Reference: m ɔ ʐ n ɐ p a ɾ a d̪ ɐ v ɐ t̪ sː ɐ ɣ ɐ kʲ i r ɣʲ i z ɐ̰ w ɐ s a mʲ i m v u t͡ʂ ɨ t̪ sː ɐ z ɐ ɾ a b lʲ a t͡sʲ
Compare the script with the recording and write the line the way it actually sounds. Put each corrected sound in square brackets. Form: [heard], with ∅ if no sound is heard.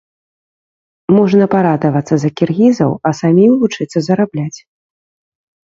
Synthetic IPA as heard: m ɔ ʐ n ɐ p a ɾ a d̪ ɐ v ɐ t̪ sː ɐ [z] ɐ kʲ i r ɣʲ i z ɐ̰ w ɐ s a mʲ i m v u t͡ʂ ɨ t̪ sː ɐ z ɐ ɾ a b lʲ a t͡sʲ